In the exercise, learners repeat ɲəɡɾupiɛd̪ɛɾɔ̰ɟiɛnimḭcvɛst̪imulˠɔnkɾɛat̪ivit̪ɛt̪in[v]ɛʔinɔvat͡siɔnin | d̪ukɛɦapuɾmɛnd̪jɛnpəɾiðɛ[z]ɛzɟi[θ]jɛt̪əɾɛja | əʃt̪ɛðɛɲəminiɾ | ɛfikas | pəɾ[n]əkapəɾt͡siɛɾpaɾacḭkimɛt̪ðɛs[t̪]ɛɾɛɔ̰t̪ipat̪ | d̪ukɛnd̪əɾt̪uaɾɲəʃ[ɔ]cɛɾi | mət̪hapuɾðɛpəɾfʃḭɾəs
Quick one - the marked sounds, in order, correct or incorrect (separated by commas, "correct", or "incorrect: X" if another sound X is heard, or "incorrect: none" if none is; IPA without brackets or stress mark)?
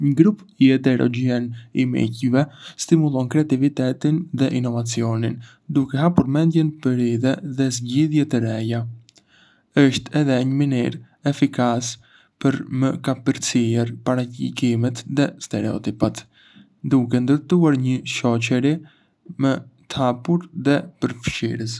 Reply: incorrect: ð, incorrect: ð, incorrect: ð, incorrect: m, correct, correct